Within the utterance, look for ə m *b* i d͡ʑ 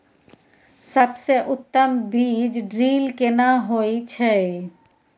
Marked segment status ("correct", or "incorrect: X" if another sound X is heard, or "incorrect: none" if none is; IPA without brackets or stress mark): correct